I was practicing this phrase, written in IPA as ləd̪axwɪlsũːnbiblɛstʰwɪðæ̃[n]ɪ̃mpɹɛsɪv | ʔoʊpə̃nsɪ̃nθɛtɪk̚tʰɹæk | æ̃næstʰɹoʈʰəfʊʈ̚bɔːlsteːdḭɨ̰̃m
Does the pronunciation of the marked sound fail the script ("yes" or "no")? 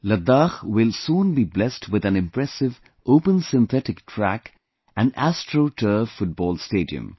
no